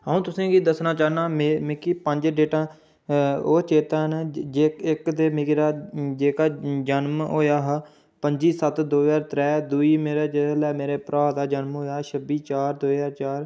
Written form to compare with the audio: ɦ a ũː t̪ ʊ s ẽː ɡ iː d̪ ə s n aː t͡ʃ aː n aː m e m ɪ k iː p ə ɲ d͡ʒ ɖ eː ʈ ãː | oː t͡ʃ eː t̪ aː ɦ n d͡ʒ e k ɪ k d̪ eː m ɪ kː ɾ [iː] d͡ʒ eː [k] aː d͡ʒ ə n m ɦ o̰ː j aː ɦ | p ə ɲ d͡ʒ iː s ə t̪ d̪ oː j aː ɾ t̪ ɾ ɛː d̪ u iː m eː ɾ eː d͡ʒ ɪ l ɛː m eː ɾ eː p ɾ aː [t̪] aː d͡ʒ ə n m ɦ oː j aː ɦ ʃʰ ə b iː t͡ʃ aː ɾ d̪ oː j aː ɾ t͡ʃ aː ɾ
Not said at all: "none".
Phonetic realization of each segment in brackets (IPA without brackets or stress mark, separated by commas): aː, k, d̪